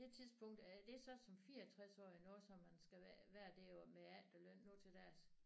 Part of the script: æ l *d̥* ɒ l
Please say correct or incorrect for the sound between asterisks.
correct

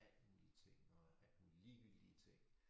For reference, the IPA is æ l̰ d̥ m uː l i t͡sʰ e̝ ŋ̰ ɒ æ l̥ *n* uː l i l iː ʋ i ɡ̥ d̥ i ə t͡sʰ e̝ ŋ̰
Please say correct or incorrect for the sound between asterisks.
incorrect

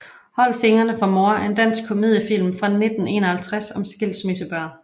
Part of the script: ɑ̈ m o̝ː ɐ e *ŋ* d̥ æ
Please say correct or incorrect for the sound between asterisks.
incorrect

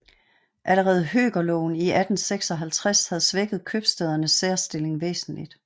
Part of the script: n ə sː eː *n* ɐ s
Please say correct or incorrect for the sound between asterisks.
incorrect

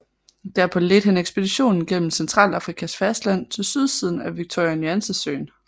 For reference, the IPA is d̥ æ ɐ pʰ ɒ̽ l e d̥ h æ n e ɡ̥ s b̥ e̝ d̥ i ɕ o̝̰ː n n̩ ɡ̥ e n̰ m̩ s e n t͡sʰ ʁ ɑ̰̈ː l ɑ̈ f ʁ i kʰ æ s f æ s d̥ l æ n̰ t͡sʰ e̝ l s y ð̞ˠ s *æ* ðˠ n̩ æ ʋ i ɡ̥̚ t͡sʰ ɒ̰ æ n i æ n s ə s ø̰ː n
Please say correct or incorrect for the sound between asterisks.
incorrect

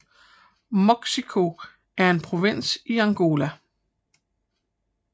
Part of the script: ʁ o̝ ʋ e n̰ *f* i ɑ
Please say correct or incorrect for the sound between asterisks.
incorrect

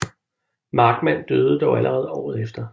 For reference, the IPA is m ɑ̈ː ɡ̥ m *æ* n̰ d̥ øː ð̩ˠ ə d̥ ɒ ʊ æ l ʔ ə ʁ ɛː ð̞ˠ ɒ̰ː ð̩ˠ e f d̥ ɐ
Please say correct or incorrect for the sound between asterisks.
correct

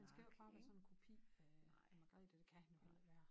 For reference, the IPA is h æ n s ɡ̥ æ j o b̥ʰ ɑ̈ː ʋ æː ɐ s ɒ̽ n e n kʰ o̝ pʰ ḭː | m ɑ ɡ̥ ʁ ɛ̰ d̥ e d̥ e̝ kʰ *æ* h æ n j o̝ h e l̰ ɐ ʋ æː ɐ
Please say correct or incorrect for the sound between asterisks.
correct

